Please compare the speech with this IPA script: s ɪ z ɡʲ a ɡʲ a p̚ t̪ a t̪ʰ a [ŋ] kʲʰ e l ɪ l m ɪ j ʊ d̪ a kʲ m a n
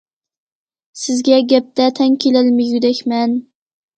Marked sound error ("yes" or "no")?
no